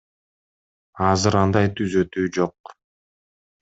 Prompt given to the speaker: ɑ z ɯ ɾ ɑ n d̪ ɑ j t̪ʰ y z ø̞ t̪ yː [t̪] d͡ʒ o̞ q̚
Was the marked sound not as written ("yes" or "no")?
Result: yes